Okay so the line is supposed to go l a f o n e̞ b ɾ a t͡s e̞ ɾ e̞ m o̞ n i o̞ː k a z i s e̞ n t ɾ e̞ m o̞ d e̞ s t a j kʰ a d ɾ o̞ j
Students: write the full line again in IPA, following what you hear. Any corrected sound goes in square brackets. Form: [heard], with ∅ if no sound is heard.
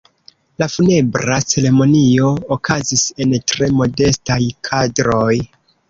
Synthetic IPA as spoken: l a f [u] n e̞ b ɾ a t͡s e̞ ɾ e̞ m o̞ n i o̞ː k a z i s e̞ n t ɾ e̞ m o̞ d e̞ s t a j kʰ a d ɾ o̞ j